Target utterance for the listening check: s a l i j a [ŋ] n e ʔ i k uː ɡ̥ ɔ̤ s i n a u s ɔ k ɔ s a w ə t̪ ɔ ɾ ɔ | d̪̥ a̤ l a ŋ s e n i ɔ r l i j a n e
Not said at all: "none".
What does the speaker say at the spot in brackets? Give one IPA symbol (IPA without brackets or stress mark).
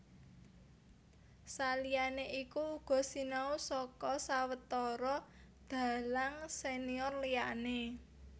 none